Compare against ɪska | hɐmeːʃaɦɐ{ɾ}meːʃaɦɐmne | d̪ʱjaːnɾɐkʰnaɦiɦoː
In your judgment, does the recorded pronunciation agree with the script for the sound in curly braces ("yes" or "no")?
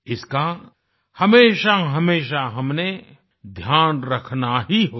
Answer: no